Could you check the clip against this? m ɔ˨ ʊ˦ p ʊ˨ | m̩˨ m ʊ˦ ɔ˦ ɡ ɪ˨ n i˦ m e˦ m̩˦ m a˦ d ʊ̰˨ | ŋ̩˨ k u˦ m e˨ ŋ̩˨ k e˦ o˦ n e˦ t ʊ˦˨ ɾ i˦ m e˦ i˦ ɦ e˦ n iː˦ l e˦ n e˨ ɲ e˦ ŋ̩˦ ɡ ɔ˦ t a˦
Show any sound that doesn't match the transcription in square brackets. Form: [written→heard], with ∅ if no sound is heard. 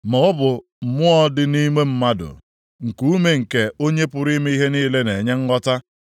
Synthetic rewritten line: m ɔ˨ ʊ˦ [p→b] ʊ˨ | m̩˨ m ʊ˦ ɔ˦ [ɡ→d] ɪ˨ n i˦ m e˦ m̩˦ m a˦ d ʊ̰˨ | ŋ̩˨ k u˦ m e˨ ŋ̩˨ k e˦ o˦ [n→ɲ] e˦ [t→p] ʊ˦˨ ɾ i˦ m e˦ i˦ ɦ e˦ n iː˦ l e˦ n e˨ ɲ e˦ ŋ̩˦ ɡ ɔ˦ t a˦